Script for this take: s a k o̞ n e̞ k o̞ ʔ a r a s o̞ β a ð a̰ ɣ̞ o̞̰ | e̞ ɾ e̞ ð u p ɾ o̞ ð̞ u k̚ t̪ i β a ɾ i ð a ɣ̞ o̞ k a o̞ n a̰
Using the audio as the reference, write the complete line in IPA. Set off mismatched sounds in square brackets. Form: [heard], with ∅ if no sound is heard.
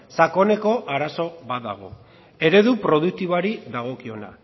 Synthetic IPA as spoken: s a k o̞ n e̞ k o̞ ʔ a [ɾ] a s o̞ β a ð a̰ ɣ̞ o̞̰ | e̞ ɾ e̞ ð u p ɾ o̞ ð̞ u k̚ t̪ i β a ɾ i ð a ɣ̞ o̞ k [i] o̞ n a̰